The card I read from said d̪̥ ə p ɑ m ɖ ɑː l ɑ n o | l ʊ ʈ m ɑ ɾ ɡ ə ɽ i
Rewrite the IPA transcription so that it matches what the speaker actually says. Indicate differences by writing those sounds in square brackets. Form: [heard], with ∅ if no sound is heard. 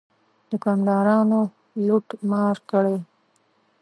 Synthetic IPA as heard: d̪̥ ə [k] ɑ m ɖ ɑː [ɾ] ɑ n o | l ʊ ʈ m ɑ ɾ [k] ə ɽ [e]